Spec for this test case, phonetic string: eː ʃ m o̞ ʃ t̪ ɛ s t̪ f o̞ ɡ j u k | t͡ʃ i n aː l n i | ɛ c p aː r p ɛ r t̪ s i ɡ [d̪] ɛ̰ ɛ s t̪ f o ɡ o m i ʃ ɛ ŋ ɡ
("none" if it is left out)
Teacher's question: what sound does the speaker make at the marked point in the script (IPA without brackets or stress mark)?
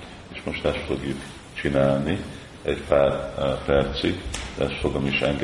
d̪